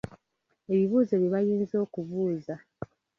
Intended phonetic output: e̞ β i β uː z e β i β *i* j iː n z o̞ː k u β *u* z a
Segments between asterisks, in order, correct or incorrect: incorrect: a, incorrect: uː

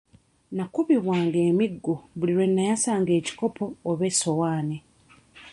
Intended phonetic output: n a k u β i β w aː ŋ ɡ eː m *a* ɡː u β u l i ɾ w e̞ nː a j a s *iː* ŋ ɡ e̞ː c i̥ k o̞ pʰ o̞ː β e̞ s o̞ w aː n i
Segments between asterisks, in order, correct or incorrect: incorrect: i, incorrect: aː

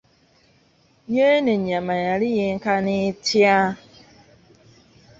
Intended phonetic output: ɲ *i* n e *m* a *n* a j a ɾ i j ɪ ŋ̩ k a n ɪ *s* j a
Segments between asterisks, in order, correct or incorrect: incorrect: e, incorrect: ɲ, incorrect: m, incorrect: t

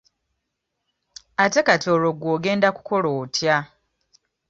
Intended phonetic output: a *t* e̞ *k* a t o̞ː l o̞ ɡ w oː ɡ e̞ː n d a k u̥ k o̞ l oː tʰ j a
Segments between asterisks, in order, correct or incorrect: correct, correct

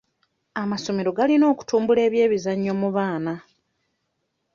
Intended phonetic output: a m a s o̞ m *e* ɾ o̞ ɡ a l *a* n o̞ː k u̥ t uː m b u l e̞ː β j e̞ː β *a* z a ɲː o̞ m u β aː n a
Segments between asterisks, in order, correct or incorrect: correct, incorrect: i, incorrect: i

